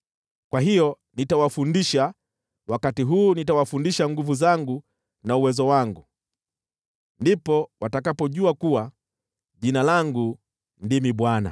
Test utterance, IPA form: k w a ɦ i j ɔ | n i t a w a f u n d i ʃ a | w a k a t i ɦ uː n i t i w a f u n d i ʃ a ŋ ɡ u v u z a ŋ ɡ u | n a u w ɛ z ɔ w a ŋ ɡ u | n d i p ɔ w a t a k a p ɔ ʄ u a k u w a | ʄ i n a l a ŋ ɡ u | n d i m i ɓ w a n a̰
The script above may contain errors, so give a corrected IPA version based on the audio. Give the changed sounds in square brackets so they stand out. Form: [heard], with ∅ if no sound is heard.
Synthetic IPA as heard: k w a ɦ i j ɔ | n i t a w a f u n d i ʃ a | w a k a t i ɦ uː n i t [a] w a f u n d i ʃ a ŋ ɡ u v u z a ŋ ɡ u | n a u w ɛ z ɔ w a ŋ ɡ u | n d i p ɔ w a t a k a p ɔ ʄ u a k u w a | ʄ i n a l a ŋ ɡ u | n d i m i ɓ w a n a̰